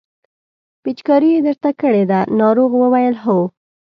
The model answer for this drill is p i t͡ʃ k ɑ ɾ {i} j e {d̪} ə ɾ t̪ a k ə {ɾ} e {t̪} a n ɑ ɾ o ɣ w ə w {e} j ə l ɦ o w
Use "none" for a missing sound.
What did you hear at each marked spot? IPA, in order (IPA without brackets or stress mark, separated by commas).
i, d̪, ɽ, d̪, a